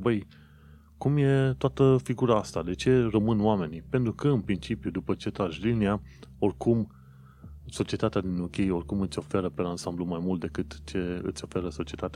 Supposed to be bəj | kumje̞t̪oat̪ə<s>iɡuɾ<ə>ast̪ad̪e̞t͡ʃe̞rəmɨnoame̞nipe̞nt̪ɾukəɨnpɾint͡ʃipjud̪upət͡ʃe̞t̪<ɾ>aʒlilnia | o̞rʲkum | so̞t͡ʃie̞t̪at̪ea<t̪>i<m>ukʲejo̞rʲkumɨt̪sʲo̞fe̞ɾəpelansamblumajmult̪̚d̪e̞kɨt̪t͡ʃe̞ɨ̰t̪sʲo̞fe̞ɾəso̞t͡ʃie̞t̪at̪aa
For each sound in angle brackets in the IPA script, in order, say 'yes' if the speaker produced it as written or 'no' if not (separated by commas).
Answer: no, no, yes, no, no